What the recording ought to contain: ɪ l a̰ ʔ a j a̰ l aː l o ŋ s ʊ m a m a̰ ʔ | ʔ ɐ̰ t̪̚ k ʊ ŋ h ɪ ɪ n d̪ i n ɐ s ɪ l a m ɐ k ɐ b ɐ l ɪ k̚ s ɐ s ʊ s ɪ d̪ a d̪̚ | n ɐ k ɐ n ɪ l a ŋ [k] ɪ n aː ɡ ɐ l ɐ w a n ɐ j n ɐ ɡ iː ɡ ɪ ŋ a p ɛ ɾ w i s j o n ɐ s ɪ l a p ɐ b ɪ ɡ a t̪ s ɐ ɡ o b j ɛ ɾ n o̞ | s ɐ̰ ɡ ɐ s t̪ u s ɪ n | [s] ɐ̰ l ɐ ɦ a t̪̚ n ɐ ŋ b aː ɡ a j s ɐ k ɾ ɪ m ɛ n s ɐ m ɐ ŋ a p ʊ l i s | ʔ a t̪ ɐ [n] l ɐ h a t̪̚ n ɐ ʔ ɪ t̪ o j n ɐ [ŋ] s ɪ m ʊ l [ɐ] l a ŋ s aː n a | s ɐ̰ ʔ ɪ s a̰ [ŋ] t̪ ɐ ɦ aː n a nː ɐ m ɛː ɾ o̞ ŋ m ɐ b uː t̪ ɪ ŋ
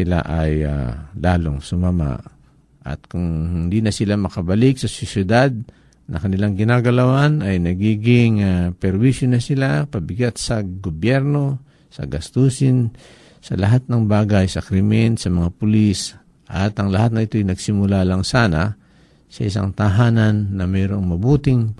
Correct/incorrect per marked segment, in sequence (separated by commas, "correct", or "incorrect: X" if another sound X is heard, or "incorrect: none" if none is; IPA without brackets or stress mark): incorrect: ɡ, correct, incorrect: ŋ, incorrect: ɡ, incorrect: a, correct